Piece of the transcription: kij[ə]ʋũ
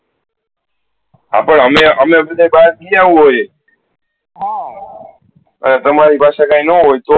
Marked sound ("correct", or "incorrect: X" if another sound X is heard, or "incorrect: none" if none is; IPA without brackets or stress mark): incorrect: a